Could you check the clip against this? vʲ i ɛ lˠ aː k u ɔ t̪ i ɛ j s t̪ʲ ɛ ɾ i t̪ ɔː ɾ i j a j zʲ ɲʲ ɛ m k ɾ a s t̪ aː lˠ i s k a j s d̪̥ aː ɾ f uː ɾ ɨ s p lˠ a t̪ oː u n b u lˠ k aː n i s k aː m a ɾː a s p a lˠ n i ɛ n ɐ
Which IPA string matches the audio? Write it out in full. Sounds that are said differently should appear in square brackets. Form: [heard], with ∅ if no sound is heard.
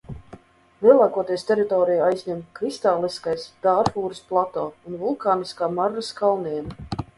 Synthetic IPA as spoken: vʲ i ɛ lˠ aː k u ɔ t̪ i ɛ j s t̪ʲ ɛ ɾ i t̪ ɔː ɾ i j a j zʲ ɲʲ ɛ m k ɾ [i] s t̪ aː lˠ i s k a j s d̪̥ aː ɾ f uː ɾ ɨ s p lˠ a t̪ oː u n [v] u lˠ k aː n i s k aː m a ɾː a s [k] a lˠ n i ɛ n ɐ